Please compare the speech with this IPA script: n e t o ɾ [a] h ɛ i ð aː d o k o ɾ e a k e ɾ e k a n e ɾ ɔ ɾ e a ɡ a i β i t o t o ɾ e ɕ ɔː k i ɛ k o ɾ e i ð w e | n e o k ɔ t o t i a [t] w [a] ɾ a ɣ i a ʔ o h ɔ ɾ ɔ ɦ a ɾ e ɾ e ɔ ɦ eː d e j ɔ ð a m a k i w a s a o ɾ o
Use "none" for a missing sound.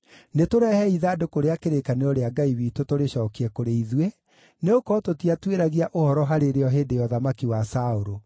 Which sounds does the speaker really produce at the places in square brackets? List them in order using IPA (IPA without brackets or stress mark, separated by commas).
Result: ɛ, t, e